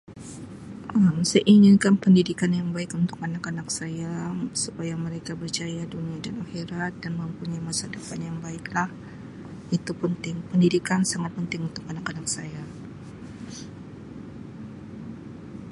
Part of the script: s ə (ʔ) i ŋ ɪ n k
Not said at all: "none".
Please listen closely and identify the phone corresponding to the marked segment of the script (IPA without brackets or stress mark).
ʔ